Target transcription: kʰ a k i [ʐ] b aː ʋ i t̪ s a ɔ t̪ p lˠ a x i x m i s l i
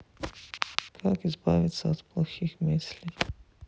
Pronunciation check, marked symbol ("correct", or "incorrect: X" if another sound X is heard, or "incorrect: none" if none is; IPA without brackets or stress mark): incorrect: z